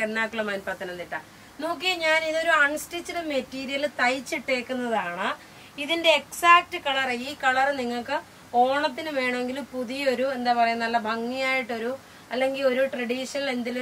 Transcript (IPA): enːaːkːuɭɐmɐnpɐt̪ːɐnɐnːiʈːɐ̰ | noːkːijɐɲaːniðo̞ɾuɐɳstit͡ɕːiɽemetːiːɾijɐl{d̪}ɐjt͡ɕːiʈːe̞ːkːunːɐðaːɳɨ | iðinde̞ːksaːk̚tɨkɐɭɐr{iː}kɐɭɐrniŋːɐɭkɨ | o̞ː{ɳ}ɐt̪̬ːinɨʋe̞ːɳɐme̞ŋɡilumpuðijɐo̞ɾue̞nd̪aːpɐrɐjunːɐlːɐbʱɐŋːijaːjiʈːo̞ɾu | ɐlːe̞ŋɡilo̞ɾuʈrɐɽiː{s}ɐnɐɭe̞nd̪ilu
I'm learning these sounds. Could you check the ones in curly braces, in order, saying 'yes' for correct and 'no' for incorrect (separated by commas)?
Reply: no, yes, yes, no